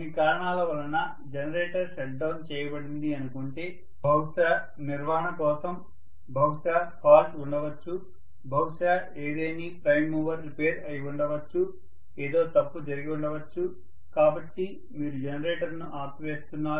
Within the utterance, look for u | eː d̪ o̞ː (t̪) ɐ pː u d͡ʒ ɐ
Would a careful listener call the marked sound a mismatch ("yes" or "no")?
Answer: no